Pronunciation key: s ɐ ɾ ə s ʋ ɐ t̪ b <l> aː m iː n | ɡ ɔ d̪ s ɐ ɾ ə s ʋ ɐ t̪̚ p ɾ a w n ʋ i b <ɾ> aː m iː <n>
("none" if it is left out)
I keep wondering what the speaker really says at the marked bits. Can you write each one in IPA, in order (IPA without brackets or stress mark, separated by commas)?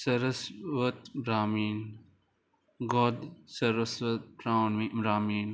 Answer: ɾ, ɾ, n